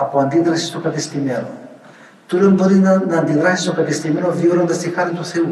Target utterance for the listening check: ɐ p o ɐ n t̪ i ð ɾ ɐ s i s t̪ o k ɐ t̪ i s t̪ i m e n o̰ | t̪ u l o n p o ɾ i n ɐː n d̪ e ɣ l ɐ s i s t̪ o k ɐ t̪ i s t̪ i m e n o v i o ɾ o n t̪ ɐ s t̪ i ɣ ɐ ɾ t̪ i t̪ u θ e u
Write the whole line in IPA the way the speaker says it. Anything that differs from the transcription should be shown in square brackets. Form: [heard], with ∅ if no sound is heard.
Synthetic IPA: ɐ p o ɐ n [d̪] i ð ɾ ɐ s i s t̪ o k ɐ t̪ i s t̪ i m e n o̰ | t̪ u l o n [b] o ɾ i n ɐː n d̪ [i] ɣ [ɾ] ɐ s i s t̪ o k ɐ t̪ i s t̪ i m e n o v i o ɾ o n [d̪] ɐ s t̪ i [x] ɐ ɾ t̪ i t̪ u θ e u